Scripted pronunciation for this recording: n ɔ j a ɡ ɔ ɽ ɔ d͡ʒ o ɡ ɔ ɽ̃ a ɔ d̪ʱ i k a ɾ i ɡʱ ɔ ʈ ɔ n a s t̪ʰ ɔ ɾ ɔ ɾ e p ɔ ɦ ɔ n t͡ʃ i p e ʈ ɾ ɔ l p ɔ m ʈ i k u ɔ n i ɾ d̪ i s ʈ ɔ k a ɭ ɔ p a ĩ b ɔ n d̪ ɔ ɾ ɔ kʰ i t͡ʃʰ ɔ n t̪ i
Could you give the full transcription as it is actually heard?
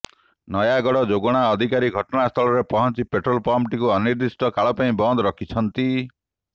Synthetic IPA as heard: n ɔ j a ɡ ɔ ɽ ɔ d͡ʒ o ɡ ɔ ɽ̃ a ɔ d̪ʱ i k a ɾ i ɡʱ ɔ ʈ ɔ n a s t̪ʰ ɔ ɭ ɔ ɾ e p ɔ ɦ ɔ n t͡ʃ i p e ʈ ɾ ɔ l p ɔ m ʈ i k u ɔ n i ɾ d̪ i s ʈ ɔ k a ɭ ɔ p a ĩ b ɔ n d̪ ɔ ɾ ɔ kʰ i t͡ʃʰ ɔ n t̪ i